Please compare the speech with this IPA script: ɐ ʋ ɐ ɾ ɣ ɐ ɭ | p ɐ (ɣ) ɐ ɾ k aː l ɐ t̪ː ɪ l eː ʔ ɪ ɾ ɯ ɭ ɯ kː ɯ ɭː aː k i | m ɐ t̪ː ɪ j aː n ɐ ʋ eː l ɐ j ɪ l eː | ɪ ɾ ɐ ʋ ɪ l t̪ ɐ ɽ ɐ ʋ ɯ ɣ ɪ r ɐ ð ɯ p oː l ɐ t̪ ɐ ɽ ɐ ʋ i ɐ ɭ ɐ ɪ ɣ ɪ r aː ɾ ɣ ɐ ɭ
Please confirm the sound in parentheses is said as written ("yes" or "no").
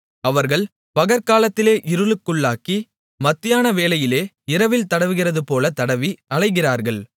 yes